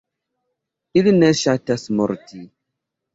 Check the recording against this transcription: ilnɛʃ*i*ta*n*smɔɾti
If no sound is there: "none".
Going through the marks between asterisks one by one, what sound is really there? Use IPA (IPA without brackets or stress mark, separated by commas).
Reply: a, none